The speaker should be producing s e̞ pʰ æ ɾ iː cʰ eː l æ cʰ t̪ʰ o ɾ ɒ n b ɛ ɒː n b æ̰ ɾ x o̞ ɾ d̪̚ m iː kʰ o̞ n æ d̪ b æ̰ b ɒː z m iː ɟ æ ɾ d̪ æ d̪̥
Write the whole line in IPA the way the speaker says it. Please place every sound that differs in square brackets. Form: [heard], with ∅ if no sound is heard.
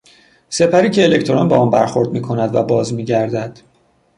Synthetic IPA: s e̞ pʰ æ ɾ iː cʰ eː l [e] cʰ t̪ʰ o ɾ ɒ n b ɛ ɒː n b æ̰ ɾ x o̞ ɾ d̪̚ m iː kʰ o̞ n æ d̪ [v] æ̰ b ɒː z m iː ɟ æ ɾ d̪ æ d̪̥

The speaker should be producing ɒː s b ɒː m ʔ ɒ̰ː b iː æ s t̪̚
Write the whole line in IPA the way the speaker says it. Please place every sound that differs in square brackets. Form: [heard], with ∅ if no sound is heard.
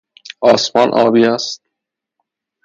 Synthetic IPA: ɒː s [m] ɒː [n] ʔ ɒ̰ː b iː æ s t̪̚

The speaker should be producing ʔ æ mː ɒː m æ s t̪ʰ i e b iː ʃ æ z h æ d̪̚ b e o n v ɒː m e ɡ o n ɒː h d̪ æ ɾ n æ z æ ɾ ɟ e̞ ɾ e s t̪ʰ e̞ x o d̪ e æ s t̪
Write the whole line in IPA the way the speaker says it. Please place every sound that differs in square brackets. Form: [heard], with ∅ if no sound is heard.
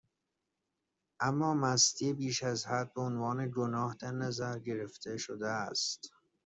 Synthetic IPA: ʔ æ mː ɒː m æ s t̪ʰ i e b iː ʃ æ z h æ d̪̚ b e o n v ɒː [n] e ɡ o n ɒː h d̪ æ ɾ n æ z æ ɾ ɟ e̞ ɾ e [f] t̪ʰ e̞ [ʃ] o d̪ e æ s t̪

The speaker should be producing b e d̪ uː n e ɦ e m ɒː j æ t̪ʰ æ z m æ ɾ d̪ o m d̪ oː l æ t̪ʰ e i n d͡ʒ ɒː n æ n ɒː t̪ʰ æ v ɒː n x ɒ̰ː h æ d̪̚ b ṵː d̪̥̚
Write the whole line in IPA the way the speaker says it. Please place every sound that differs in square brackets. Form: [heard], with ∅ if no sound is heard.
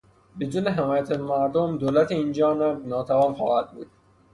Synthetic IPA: b e d̪ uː n e ɦ e m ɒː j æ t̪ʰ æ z m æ ɾ d̪ o m d̪ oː l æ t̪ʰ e i n d͡ʒ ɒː n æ n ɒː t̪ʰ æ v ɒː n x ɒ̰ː h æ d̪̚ b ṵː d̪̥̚

